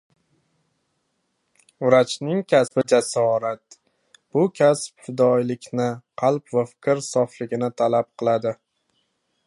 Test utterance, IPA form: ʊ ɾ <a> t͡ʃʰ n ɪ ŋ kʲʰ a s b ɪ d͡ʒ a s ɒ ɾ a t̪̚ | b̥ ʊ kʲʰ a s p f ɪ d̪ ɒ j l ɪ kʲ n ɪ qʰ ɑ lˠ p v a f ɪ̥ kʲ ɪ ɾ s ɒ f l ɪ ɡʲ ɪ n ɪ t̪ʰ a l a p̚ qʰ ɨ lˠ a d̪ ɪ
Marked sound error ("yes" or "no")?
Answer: no